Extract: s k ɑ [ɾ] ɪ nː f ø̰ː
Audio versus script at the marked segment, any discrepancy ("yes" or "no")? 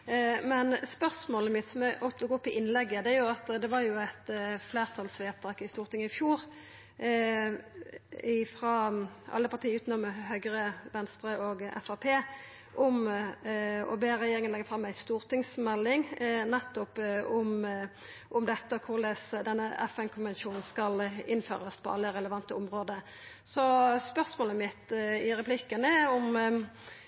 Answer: yes